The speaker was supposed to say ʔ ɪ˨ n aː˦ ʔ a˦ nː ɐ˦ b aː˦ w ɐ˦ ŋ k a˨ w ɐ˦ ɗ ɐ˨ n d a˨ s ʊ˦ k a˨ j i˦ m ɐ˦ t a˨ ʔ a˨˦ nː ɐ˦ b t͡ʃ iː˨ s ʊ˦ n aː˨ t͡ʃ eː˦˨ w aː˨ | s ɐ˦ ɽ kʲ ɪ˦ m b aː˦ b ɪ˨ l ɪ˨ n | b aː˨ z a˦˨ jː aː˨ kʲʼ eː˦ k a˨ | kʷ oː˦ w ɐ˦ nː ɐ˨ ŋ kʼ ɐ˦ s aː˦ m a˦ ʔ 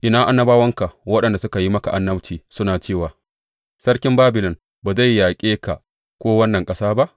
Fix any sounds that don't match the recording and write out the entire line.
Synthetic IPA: ʔ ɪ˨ n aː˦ ʔ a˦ nː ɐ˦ b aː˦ w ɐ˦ ŋ k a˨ w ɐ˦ ɗ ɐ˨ n d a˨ s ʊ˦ k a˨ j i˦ m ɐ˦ k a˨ ʔ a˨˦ nː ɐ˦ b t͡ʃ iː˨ s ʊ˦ n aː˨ t͡ʃ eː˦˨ w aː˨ | s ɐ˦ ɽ kʲ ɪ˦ m b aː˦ b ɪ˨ l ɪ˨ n | b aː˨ z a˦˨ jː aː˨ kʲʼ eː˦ k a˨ | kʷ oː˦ w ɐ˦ nː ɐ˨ ŋ kʼ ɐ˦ s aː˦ b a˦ ʔ

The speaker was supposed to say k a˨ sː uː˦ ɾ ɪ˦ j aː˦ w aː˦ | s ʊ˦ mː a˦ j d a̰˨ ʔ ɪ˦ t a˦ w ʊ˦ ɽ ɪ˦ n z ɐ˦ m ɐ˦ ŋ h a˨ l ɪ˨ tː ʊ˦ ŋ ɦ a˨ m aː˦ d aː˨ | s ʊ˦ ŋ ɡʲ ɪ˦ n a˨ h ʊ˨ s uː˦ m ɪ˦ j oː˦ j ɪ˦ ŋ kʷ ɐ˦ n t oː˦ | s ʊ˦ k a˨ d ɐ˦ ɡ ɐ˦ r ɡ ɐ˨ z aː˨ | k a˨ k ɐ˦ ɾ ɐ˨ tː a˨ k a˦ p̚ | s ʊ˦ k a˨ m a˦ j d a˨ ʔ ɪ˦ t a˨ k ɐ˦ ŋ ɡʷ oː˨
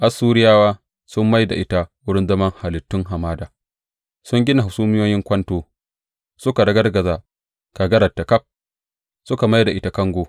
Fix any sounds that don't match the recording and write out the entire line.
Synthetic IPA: ʔ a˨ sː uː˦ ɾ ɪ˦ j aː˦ w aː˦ | s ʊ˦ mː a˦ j d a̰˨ ʔ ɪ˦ t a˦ w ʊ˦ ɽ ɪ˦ n z ɐ˦ m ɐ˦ ŋ h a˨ l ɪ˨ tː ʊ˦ ŋ ɦ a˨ m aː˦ d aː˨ | s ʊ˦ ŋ ɡʲ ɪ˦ n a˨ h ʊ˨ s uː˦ m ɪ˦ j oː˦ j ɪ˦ ŋ kʷ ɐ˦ n t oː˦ | s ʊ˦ k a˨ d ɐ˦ ɡ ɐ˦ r ɡ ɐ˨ z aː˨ | k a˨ ɡ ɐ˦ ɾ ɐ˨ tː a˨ k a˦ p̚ | s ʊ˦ k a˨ m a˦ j d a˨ ʔ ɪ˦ t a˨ k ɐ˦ ŋ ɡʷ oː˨

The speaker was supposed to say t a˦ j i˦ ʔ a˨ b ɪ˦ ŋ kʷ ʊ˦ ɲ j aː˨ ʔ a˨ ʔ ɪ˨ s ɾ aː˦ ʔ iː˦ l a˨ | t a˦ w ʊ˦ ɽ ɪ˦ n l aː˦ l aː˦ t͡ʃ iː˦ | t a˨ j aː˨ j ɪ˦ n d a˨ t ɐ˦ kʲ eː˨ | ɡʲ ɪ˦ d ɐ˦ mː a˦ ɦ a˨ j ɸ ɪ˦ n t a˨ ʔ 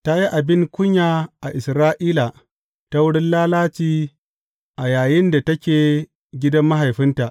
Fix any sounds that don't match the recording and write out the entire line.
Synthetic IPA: t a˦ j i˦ ʔ a˨ b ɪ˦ ŋ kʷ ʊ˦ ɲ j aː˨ ʔ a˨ ʔ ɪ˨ s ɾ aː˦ ʔ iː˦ l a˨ | t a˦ w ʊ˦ ɽ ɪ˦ n l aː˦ l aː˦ t͡ʃ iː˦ | ʔ a˨ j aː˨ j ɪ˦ n d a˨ t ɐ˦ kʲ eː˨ | ɡʲ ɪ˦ d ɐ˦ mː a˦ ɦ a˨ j ɸ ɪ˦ n t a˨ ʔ

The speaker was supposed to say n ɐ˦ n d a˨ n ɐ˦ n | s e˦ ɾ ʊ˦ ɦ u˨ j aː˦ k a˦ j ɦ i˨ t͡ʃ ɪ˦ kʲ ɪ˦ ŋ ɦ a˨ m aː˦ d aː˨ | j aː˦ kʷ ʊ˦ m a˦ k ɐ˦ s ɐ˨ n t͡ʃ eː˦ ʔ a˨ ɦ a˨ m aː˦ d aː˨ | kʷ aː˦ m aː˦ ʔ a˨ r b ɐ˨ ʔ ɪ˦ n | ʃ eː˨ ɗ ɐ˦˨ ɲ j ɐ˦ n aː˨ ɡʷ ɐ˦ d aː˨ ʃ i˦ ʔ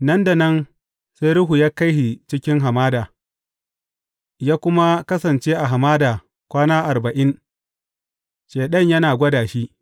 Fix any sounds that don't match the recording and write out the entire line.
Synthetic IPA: n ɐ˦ n d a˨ n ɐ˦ n | s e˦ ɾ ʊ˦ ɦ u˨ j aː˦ k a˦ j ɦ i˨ t͡ʃ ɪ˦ kʲ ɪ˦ ŋ ɦ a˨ m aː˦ d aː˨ | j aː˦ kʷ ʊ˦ m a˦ k ɐ˦ s ɐ˨ n t͡ʃ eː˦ ʔ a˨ ɦ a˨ m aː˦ d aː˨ | kʷ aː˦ n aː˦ ʔ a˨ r b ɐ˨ ʔ ɪ˦ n | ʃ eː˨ ɗ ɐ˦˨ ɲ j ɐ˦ n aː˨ ɡʷ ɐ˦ d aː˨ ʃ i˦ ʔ

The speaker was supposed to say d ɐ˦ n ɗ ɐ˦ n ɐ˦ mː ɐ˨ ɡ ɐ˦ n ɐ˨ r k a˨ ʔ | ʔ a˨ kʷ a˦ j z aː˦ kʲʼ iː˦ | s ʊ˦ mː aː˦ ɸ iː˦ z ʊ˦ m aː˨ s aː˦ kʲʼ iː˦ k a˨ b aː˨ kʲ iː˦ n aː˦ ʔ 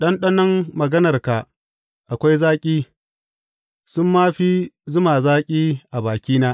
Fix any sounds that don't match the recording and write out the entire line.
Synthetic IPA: ɗ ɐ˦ n ɗ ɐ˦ n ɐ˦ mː ɐ˨ ɡ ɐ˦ n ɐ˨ r k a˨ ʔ | ʔ a˨ kʷ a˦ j z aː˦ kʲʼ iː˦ | s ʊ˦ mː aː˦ ɸ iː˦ z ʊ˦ m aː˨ z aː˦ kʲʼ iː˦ ʔ a˨ b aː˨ kʲ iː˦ n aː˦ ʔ

